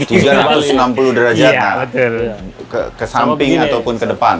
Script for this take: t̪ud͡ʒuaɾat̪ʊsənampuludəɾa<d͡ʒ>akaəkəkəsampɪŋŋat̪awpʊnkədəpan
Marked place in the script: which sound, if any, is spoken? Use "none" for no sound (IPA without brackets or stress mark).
d͡ʒ